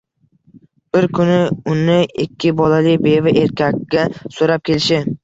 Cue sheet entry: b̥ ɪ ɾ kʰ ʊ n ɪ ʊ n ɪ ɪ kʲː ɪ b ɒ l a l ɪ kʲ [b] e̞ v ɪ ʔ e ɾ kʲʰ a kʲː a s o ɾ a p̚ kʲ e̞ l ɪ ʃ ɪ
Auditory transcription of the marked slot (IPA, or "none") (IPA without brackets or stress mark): b